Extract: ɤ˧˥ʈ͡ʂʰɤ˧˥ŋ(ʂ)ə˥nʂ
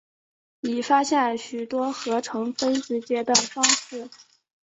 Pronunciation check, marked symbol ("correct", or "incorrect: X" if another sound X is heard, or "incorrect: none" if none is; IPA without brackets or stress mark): incorrect: f